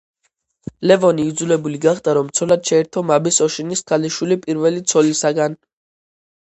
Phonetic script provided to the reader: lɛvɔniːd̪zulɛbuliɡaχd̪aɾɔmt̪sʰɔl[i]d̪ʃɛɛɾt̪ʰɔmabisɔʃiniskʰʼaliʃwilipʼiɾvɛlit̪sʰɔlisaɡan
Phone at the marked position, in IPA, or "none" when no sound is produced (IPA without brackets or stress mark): a